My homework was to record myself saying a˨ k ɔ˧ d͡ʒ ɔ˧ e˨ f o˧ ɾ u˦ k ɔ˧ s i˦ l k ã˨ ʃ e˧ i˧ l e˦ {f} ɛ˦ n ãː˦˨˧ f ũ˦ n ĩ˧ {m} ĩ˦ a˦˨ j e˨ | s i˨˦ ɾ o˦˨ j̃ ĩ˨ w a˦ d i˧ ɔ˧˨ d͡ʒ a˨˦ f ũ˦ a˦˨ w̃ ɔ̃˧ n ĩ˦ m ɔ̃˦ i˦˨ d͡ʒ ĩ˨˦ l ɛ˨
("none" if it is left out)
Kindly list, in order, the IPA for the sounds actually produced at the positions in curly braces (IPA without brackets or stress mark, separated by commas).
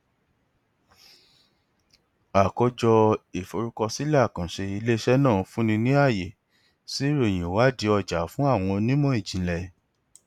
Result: ʃ, n